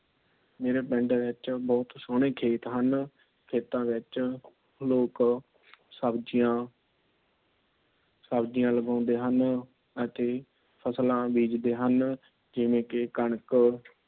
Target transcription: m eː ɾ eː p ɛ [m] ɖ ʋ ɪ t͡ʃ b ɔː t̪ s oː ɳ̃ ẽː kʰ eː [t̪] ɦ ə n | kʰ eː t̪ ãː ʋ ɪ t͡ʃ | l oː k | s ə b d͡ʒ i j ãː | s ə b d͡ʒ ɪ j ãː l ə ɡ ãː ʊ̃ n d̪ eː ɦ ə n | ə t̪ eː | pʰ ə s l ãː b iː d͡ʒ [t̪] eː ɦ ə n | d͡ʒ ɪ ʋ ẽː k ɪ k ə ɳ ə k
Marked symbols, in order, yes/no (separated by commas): no, yes, no